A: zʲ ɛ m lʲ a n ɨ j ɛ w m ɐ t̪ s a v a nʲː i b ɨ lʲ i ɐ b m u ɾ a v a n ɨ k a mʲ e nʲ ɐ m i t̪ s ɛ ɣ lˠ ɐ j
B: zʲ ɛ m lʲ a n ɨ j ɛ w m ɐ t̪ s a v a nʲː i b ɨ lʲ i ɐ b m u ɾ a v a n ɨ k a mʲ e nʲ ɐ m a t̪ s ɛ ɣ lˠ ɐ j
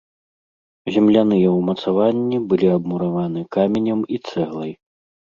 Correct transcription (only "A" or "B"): A